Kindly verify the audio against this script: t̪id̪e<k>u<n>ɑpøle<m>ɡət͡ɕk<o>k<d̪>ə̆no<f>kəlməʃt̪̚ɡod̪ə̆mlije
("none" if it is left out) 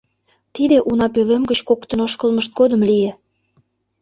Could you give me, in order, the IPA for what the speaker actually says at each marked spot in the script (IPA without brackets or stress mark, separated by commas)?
ʔ, n, m, o, t̪, ʃ